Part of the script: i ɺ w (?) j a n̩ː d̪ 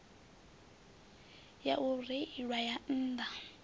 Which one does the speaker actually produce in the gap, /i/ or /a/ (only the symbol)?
a